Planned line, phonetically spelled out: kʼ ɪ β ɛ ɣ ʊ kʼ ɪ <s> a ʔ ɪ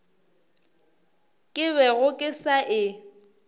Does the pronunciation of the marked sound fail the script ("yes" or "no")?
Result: no